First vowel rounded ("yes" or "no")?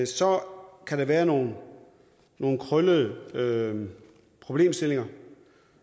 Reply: yes